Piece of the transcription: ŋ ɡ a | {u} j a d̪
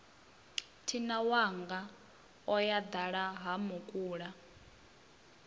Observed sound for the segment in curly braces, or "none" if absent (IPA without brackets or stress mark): ɔ